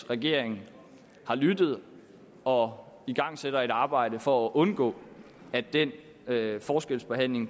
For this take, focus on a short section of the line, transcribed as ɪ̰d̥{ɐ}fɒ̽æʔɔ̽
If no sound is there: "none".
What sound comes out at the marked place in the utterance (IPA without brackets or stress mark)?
ə